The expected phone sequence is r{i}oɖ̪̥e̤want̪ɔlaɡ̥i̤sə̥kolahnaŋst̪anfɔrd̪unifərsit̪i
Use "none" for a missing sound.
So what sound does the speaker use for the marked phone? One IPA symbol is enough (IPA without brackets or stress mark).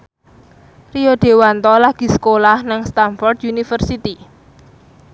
i